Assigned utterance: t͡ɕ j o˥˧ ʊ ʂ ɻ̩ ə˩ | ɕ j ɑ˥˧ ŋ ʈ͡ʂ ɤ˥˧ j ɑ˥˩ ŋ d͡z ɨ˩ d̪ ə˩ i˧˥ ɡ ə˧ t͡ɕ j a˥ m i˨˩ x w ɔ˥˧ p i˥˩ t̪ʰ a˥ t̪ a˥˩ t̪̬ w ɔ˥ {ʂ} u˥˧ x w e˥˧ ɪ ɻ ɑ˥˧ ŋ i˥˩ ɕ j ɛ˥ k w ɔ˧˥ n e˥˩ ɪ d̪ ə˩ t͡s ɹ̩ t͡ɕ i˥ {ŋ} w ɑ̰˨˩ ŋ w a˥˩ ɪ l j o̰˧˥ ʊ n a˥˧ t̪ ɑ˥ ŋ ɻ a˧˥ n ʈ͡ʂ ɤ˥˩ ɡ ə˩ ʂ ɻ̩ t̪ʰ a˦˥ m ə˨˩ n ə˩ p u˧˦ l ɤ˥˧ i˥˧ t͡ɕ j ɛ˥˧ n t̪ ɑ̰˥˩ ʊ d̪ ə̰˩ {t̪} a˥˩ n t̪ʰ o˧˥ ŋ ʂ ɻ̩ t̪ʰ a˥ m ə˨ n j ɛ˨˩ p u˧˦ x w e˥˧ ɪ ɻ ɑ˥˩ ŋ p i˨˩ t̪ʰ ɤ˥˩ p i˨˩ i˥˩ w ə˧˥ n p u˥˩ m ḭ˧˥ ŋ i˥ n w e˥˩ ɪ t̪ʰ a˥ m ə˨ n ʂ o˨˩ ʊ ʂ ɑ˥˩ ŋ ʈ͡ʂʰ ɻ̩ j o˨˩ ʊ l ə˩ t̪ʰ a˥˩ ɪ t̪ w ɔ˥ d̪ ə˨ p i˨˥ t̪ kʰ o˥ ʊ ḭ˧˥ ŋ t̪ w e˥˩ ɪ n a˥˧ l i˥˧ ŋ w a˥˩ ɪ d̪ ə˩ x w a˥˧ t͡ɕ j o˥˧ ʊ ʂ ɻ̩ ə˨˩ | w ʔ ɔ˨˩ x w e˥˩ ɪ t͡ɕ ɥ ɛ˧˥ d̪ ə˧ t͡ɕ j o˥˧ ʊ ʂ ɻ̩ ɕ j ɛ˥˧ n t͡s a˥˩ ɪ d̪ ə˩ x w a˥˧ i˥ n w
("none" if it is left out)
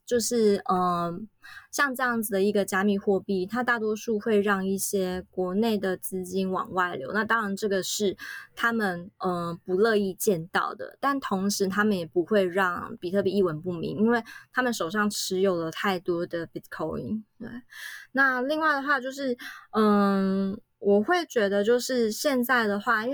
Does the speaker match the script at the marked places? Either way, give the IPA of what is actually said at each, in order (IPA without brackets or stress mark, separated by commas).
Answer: ʂ, n, t̪